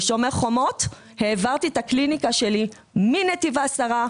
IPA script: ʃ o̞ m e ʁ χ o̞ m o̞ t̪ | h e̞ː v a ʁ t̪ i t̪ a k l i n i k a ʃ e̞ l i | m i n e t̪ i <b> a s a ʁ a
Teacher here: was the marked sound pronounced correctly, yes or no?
no